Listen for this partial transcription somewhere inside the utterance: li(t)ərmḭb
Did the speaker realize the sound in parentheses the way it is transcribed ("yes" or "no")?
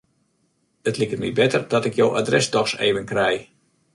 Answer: no